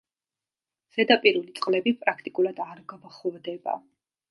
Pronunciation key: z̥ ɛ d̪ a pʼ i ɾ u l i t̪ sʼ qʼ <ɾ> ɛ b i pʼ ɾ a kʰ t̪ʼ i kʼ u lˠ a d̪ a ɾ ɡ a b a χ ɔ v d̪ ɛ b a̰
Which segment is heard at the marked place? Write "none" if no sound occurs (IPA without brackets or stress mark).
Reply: l